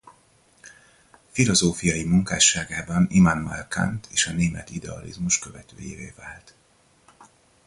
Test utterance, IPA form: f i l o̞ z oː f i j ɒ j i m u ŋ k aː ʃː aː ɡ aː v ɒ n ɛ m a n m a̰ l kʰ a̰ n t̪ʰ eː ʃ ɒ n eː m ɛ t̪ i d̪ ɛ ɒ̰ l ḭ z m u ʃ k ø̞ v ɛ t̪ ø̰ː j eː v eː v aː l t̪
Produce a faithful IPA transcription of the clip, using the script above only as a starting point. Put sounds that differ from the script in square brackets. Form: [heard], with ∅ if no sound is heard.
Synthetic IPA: f i l o̞ z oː f i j ɒ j i m u ŋ k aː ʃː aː ɡ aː [b] ɒ n [i] m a n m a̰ l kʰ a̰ n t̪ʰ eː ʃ ɒ n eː m ɛ t̪ i d̪ ɛ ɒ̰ l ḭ z m u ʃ k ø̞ v ɛ t̪ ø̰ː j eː v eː v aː l t̪